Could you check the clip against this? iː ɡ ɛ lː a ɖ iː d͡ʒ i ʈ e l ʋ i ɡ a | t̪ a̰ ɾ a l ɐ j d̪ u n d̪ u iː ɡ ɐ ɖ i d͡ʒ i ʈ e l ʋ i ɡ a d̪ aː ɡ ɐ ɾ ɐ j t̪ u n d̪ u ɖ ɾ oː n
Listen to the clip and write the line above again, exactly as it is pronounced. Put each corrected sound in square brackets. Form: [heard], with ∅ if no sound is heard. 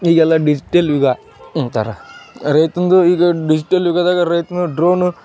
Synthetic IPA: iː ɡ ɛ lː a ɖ [i] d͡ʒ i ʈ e l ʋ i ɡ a | t̪ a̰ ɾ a [ɾ] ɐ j [t̪] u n d̪ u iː ɡ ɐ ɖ i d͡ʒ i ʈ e l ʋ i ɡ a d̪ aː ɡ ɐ ɾ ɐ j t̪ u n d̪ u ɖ ɾ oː n